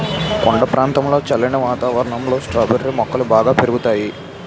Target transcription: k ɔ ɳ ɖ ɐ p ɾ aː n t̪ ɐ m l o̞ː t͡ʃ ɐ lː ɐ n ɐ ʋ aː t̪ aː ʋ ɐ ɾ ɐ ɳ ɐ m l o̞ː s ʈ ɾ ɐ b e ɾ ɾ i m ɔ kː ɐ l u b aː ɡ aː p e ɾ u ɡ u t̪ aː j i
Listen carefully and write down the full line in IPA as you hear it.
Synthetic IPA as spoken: k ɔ ɳ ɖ ɐ p ɾ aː n t̪ ɐ m l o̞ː t͡ʃ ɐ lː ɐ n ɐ ʋ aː t̪ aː ʋ ɐ ɾ ɐ ɳ ɐ m l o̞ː s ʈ ɾ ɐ b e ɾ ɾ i m ɔ kː ɐ l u b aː ɡ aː p e ɾ u ɡ u t̪ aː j i